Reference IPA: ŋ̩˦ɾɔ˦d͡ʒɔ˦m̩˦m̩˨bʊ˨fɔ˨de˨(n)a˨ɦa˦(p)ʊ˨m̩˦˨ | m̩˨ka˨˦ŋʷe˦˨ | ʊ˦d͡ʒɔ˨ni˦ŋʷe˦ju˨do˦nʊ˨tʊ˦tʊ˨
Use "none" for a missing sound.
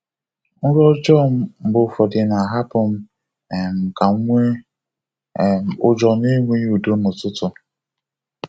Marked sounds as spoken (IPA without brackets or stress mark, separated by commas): n, p